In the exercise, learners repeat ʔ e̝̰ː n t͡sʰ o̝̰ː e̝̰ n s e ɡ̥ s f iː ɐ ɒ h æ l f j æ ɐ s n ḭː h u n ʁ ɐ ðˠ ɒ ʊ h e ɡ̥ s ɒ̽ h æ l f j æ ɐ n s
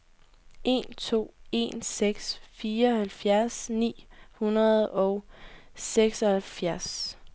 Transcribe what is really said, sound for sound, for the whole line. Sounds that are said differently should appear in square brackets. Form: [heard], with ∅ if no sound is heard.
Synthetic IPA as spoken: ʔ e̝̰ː n t͡sʰ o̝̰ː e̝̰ n s e ɡ̥ s f iː ɐ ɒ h æ l f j æ ɐ s n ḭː h u n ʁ ɐ ðˠ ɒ ʊ [s] e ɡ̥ s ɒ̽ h æ l f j æ ɐ [∅] s

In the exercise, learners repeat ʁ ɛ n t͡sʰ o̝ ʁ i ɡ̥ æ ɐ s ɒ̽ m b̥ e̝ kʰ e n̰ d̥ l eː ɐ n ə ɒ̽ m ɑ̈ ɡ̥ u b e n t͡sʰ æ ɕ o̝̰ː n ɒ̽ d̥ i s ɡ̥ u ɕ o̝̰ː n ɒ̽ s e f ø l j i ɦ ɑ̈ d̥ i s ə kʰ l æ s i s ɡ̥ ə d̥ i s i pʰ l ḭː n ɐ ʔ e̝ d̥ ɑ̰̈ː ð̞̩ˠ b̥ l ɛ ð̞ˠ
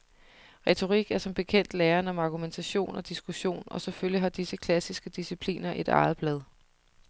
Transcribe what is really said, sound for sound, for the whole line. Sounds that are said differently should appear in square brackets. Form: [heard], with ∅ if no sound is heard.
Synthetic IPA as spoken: ʁ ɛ [∅] t͡sʰ o̝ ʁ i ɡ̥ æ ɐ s ɒ̽ m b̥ e̝ kʰ e n̰ d̥ l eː ɐ n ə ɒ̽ m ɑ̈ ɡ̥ u [m] e n t͡sʰ æ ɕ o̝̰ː n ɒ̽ d̥ i s ɡ̥ u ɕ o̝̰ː n ɒ̽ s e f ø l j i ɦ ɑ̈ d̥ i s ə kʰ l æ s i s ɡ̥ ə d̥ i s i pʰ l ḭː n ɐ ʔ e̝ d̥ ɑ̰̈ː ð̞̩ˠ b̥ l ɛ ð̞ˠ

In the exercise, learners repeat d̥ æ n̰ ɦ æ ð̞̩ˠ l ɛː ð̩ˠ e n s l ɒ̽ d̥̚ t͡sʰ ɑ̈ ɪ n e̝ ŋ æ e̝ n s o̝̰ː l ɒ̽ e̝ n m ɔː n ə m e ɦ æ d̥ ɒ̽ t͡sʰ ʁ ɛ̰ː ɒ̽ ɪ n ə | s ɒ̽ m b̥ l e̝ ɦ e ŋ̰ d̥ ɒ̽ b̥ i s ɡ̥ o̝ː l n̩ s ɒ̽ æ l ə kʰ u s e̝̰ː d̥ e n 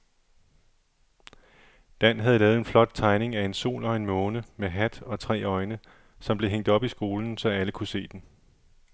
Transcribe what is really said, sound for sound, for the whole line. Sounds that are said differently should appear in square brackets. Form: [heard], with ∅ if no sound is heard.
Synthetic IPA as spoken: d̥ æ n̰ ɦ æ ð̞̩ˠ l ɛː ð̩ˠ e n [f] l ɒ̽ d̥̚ t͡sʰ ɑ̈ ɪ n e̝ ŋ æ e̝ n s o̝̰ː l ɒ̽ e̝ n m ɔː n ə m e ɦ æ d̥ ɒ̽ t͡sʰ ʁ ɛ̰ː ɒ̽ ɪ n ə | s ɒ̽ m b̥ l e̝ ɦ e ŋ̰ d̥ ɒ̽ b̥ i s ɡ̥ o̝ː l n̩ s ɒ̽ æ l ə kʰ u s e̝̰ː d̥ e n

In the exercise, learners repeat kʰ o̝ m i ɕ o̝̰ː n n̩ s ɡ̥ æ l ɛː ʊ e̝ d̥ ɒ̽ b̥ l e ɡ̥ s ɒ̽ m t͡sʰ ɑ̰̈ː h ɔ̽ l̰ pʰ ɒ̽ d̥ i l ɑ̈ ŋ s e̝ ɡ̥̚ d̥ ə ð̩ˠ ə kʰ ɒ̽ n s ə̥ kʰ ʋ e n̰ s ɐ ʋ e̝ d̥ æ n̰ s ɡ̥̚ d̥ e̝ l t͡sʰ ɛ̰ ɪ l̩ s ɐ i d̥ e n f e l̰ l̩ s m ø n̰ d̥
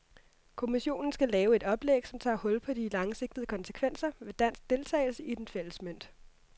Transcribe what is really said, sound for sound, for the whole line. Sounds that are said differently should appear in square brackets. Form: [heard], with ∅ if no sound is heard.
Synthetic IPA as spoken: kʰ o̝ m i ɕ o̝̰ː n n̩ s ɡ̥ æ l ɛː ʊ e̝ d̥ ɒ̽ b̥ l e ɡ̥ s ɒ̽ m t͡sʰ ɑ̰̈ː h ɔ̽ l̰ pʰ ɒ̽ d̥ i l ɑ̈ ŋ s e̝ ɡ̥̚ d̥ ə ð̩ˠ ə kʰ ɒ̽ n s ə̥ kʰ ʋ e n̰ s ɐ ʋ e̝ d̥ æ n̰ s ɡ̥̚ d̥ e̝ l t͡sʰ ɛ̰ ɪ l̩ s [ə] i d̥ e n f e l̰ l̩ s m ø n̰ d̥

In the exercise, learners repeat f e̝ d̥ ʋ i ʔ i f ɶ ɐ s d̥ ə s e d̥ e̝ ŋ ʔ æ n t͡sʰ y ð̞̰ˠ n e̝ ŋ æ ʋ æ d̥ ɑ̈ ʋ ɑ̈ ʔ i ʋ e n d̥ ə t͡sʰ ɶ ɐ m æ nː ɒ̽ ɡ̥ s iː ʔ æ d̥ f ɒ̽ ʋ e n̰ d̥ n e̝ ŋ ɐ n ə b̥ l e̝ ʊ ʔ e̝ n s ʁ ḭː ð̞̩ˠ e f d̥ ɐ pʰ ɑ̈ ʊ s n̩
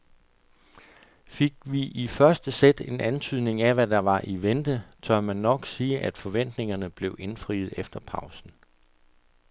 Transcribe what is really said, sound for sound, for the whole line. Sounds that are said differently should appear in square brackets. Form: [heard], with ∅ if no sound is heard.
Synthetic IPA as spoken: f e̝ [ɡ̥] ʋ i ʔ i f ɶ ɐ s d̥ ə s e d̥ e̝ [n] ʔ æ n t͡sʰ y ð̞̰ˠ n e̝ ŋ æ ʋ æ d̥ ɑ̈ ʋ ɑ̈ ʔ i ʋ e n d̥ ə t͡sʰ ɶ ɐ m æ nː ɒ̽ ɡ̥ s iː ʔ æ d̥ f ɒ̽ ʋ e n̰ d̥ n e̝ ŋ ɐ n ə b̥ l e̝ ʊ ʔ e̝ n [f] ʁ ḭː ð̞̩ˠ e f d̥ ɐ pʰ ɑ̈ ʊ s n̩

